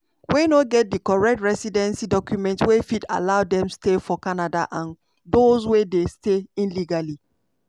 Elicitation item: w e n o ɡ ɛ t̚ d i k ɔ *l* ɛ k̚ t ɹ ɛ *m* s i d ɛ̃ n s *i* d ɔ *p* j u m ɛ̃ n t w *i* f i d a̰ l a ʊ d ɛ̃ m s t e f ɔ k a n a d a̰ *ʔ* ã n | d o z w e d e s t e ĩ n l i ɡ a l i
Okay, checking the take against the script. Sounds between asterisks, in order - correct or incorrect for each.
incorrect: ɹ, incorrect: none, correct, incorrect: k, incorrect: e, correct

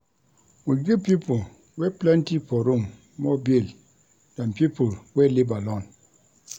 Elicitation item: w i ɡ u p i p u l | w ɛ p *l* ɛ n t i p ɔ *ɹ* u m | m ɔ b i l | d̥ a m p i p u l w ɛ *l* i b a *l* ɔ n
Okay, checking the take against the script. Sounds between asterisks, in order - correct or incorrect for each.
correct, incorrect: ɾ, correct, correct

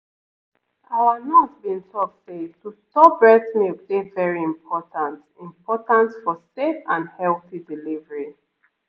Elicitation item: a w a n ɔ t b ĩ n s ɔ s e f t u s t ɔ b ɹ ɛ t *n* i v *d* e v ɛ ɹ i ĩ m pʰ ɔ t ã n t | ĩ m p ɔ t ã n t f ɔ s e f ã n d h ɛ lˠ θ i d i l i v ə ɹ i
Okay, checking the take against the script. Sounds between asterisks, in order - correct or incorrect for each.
correct, correct

